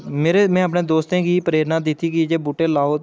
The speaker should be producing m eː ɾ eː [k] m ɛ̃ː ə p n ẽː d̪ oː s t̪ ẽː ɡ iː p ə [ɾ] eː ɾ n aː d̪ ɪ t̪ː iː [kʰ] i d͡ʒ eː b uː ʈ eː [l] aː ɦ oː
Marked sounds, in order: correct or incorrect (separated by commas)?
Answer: incorrect, correct, incorrect, correct